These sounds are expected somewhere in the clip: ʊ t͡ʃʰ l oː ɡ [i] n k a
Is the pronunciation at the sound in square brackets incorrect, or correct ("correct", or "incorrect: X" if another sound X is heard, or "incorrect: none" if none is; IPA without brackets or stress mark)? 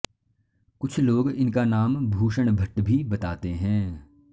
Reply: incorrect: ɪ